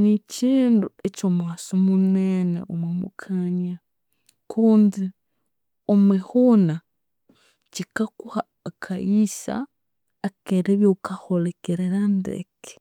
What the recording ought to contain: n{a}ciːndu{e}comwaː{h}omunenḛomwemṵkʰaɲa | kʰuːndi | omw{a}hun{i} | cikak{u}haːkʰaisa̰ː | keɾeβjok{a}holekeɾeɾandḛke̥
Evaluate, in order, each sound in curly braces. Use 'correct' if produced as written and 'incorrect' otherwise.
incorrect, correct, incorrect, incorrect, incorrect, correct, correct

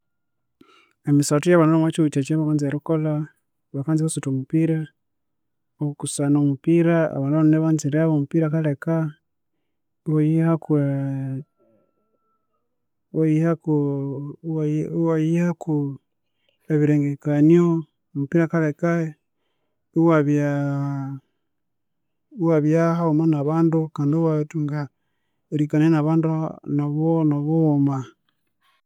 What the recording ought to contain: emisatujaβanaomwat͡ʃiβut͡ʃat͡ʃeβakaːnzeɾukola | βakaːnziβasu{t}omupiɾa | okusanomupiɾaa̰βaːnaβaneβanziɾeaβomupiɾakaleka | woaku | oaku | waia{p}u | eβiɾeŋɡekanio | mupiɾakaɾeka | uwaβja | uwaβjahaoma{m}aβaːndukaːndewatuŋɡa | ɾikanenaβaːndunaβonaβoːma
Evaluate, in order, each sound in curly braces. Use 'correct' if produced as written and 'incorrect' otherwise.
correct, incorrect, incorrect

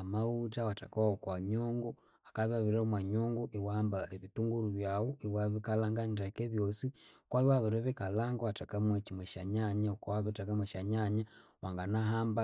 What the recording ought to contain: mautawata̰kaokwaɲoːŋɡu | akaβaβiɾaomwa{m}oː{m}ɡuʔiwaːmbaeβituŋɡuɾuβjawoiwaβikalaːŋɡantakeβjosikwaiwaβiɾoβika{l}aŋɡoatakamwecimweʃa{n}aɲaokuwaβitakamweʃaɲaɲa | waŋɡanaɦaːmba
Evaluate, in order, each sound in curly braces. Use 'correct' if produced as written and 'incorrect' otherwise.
incorrect, incorrect, correct, incorrect

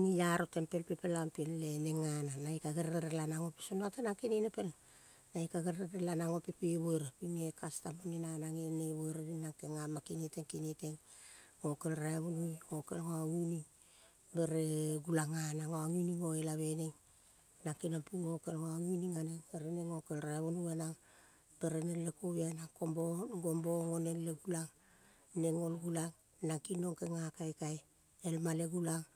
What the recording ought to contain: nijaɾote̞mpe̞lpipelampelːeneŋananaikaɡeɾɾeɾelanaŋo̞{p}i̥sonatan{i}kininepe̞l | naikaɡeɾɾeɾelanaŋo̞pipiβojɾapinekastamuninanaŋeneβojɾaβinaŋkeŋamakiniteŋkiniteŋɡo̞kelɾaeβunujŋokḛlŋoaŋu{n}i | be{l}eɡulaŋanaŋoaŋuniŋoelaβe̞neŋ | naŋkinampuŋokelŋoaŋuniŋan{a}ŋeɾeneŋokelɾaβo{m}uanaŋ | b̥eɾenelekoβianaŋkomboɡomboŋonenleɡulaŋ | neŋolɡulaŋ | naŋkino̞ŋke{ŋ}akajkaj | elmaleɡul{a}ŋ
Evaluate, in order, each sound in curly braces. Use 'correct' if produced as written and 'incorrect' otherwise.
correct, incorrect, correct, incorrect, incorrect, incorrect, correct, correct

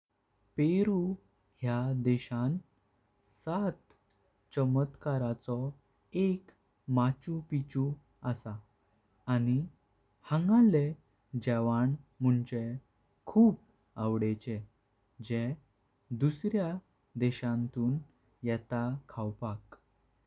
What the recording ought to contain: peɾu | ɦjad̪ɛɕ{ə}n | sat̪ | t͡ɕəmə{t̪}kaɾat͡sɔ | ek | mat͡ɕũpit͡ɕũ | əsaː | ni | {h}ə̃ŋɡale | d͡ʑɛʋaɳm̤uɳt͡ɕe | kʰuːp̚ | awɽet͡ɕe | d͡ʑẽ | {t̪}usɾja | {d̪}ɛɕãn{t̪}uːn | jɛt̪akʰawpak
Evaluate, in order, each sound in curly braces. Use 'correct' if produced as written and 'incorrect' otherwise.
incorrect, correct, correct, incorrect, correct, correct

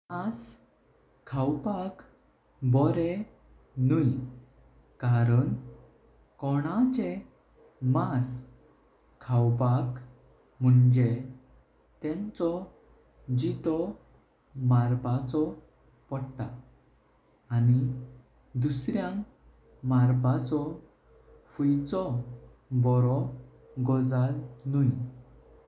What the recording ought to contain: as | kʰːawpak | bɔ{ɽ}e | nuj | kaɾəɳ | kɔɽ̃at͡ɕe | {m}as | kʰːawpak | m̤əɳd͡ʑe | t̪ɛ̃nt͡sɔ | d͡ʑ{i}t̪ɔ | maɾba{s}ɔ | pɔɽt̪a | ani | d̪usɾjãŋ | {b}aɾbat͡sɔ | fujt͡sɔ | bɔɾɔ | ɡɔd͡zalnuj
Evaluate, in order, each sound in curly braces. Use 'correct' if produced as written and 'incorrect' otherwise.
incorrect, correct, correct, incorrect, incorrect

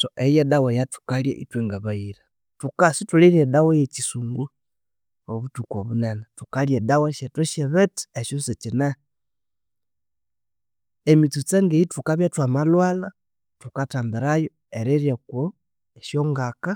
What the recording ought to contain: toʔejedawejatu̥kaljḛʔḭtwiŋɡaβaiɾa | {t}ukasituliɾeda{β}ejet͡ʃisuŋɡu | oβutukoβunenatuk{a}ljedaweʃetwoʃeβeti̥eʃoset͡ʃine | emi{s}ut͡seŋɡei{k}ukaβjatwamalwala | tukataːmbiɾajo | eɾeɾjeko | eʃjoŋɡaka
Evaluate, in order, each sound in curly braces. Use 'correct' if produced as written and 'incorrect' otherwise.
correct, incorrect, correct, incorrect, incorrect

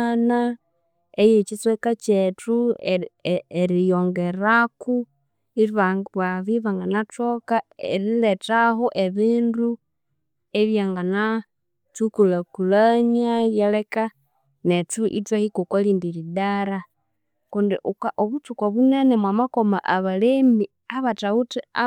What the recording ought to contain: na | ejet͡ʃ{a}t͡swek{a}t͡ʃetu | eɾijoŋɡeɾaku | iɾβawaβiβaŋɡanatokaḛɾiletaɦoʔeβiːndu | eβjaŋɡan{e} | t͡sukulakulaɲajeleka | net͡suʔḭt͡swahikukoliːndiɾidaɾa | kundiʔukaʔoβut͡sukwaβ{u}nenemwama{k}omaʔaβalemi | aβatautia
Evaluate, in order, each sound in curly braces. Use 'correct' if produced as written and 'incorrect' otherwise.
incorrect, correct, incorrect, correct, correct

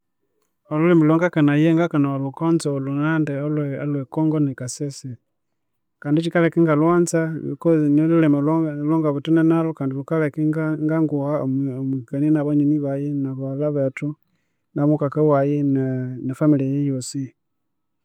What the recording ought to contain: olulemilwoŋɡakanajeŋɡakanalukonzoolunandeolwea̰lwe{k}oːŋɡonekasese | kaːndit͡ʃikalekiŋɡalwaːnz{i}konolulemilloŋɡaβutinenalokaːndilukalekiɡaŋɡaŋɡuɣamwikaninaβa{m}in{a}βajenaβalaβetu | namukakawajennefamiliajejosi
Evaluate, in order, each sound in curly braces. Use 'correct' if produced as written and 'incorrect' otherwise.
correct, incorrect, incorrect, incorrect

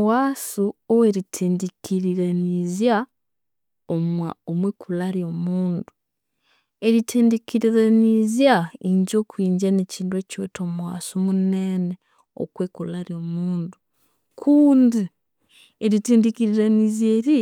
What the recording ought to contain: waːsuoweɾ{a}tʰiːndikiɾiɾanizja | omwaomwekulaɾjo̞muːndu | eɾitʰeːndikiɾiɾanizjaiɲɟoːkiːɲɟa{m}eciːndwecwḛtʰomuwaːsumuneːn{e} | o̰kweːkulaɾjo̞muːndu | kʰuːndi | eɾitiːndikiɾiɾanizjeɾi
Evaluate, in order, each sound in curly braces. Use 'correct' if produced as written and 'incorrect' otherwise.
incorrect, incorrect, correct

